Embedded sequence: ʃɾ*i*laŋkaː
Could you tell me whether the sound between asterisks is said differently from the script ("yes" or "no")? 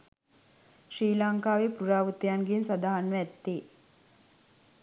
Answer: yes